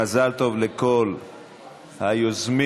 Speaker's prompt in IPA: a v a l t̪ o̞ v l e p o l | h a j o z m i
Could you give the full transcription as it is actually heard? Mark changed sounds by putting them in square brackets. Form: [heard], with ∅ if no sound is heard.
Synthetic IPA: a [z] a l t̪ o̞ v l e [k] o l | h a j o z m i